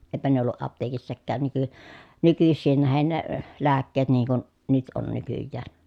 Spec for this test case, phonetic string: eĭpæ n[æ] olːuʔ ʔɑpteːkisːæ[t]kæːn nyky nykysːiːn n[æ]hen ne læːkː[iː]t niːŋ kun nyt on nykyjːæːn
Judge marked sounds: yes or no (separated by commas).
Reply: no, no, yes, no